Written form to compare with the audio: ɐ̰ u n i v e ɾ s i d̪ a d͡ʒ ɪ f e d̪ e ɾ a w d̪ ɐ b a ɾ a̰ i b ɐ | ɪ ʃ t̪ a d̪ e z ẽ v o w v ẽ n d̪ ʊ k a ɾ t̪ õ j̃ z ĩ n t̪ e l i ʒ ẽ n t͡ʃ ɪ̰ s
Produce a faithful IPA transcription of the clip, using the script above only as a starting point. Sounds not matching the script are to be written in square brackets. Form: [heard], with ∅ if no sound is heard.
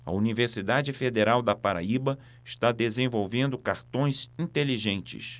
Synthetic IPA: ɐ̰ u n i v e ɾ s i d̪ a d͡ʒ ɪ f e d̪ e ɾ a w d̪ ɐ [p] a ɾ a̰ i b ɐ | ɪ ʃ t̪ a d̪ e z ẽ v o w v ẽ n d̪ ʊ k a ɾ t̪ õ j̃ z ĩ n t̪ e l i ʒ ẽ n t͡ʃ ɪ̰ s